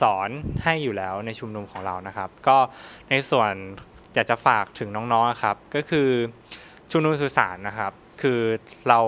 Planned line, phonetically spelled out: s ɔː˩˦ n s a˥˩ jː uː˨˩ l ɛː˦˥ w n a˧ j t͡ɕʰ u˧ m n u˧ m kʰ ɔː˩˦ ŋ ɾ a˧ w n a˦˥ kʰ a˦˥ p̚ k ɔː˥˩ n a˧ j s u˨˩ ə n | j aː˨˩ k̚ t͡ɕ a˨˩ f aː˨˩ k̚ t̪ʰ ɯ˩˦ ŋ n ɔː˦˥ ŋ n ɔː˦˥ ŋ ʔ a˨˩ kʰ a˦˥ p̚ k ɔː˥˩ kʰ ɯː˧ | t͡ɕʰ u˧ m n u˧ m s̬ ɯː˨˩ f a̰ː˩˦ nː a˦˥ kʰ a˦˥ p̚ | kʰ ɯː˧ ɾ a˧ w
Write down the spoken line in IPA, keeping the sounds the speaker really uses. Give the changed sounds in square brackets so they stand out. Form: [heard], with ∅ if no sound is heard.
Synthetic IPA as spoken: s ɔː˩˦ n [h] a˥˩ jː uː˨˩ l ɛː˦˥ w n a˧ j t͡ɕʰ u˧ m n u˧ m kʰ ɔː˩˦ ŋ ɾ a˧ w n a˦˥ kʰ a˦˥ p̚ k ɔː˥˩ n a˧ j s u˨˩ ə n | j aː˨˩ k̚ t͡ɕ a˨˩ f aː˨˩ k̚ t̪ʰ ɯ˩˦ ŋ n ɔː˦˥ ŋ n ɔː˦˥ ŋ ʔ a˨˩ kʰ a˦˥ p̚ k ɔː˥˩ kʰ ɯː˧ | t͡ɕʰ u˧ m n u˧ m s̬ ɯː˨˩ [s] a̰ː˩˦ nː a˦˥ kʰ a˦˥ p̚ | kʰ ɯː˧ ɾ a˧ w